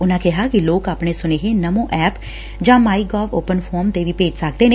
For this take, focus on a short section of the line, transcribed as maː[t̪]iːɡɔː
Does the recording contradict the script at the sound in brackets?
yes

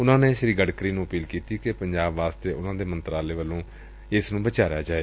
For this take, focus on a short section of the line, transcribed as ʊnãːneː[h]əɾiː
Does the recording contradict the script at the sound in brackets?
yes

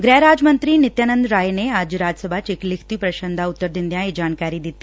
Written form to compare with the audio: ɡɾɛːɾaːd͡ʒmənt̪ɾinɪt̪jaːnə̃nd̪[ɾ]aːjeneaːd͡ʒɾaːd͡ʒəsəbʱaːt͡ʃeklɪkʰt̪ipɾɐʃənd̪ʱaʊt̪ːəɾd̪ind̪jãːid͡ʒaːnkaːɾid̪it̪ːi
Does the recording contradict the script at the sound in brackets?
no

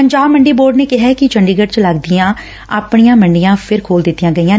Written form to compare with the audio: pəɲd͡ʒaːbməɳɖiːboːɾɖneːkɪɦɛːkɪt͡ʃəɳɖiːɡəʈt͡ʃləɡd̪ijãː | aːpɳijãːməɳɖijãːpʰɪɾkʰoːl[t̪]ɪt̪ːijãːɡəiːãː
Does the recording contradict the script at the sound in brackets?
yes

